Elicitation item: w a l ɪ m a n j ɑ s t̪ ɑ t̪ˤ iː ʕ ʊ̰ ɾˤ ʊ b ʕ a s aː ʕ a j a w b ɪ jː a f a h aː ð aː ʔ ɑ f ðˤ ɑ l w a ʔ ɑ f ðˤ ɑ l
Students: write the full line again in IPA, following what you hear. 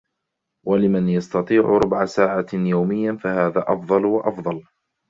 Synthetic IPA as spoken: w a l ɪ m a n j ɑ s t̪ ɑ t̪ˤ iː ʕ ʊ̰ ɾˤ ʊ b ʕ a s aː ʕ a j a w m ɪ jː a f a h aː ð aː ʔ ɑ f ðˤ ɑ l w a ʔ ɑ f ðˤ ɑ l